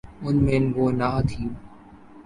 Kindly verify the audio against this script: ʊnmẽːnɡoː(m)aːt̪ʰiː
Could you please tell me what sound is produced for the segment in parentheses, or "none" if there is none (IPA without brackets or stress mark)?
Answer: n